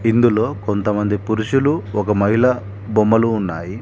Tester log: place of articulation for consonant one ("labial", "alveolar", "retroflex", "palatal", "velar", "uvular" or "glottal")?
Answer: alveolar